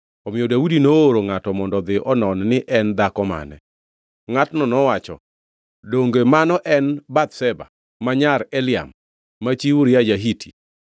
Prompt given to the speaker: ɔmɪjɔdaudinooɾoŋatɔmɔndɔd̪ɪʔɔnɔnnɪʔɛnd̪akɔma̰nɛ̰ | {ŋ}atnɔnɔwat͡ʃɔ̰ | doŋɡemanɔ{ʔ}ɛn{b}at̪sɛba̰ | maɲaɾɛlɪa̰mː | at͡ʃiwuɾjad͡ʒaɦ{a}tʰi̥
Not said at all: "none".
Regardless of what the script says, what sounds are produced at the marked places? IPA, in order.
ŋ, ʔ, b, i

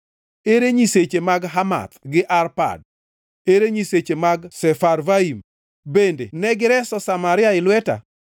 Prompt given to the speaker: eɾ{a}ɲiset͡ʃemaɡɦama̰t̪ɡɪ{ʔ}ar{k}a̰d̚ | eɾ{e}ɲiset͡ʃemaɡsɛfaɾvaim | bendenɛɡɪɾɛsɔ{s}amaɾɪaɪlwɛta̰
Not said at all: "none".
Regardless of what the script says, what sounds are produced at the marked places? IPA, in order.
e, ʔ, p, e, s

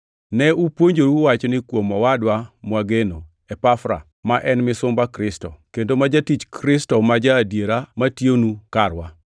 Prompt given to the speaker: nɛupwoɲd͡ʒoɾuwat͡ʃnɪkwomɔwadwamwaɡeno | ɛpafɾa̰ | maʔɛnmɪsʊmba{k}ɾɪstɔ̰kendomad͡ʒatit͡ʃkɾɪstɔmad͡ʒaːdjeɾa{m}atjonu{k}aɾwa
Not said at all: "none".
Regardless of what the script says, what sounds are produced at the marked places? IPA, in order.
k, m, k

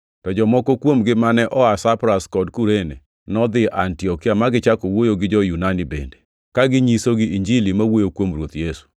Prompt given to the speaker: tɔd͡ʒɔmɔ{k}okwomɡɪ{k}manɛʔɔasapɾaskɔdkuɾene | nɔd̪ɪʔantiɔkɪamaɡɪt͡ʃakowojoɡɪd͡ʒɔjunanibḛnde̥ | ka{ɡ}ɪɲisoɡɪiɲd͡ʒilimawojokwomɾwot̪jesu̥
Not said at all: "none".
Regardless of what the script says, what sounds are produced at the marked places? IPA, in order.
k, none, ɡ

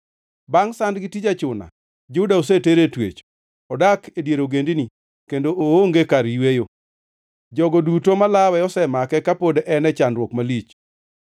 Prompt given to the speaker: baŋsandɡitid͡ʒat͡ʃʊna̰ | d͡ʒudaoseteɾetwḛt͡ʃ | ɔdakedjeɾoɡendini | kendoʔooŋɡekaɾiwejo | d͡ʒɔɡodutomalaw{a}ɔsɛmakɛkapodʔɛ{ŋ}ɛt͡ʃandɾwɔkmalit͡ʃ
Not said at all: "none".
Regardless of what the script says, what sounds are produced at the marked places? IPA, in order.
ɛ, n

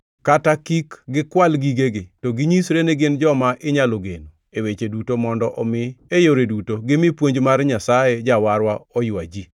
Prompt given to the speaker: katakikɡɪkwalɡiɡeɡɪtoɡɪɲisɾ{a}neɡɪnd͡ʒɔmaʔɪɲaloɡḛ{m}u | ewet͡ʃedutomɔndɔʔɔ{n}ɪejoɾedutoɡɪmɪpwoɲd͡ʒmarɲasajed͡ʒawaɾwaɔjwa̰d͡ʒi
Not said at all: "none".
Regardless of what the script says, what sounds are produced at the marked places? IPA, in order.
e, n, m

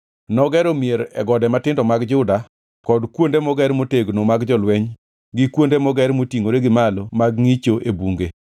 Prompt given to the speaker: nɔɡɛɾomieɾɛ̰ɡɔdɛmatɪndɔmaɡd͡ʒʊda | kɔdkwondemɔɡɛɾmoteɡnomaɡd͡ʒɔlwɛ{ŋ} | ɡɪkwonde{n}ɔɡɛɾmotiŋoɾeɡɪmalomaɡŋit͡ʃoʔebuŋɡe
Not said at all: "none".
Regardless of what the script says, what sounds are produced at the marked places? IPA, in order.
ɲ, m

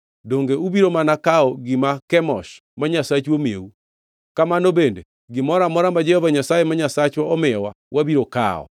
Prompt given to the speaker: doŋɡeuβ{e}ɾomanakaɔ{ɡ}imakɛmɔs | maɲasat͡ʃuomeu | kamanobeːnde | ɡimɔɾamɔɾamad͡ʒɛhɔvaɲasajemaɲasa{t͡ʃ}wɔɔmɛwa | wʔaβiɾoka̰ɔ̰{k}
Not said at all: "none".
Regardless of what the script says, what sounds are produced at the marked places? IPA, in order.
i, ɡ, t͡ʃ, none

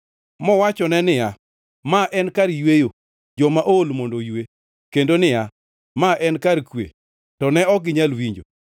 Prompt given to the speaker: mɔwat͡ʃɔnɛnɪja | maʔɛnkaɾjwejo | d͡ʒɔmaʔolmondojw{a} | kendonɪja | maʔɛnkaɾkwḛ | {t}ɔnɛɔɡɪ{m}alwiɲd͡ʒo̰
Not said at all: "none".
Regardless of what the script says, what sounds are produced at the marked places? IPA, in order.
e, t, ɲ

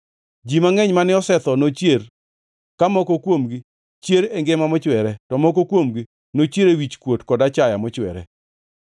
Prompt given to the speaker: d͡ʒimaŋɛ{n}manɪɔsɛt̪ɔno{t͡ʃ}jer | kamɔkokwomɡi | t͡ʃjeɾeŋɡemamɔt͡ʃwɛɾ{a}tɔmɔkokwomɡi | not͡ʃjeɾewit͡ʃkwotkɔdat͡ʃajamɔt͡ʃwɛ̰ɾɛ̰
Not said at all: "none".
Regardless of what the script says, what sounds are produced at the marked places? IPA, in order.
ɲ, t͡ʃ, ɛ

